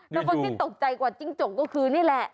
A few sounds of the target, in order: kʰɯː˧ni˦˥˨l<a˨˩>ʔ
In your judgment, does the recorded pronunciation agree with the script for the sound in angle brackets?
no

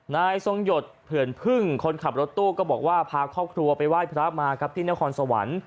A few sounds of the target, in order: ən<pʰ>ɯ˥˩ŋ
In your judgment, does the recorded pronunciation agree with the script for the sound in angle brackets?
yes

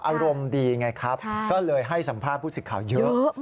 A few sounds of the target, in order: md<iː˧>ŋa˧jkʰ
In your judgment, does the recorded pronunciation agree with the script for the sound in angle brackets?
yes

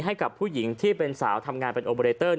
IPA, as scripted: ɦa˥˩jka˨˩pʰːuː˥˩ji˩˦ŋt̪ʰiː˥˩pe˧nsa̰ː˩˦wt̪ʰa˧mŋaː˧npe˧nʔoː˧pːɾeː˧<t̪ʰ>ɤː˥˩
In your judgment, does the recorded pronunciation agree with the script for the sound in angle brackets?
no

